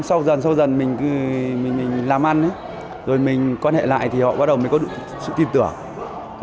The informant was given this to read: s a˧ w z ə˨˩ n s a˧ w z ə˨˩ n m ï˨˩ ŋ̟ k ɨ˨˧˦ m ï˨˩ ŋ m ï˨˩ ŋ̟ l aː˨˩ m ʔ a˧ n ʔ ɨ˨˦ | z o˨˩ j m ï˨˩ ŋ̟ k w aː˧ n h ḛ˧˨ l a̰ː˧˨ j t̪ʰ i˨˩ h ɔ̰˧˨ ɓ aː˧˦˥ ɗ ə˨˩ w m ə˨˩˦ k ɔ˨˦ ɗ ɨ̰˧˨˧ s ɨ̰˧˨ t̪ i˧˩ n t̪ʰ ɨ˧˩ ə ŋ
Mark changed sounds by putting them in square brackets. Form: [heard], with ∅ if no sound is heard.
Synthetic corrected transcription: s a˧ w z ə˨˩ n s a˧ w z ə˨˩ n m ï˨˩ ŋ̟ k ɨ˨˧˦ m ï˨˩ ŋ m ï˨˩ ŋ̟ l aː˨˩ m ʔ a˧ n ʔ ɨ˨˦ | z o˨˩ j m ï˨˩ ŋ̟ k w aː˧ n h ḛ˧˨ l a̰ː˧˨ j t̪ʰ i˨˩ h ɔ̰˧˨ ɓ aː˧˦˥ ɗ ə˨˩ w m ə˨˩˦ k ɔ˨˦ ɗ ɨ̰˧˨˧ s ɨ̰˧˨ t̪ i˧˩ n [t̪] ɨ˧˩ ə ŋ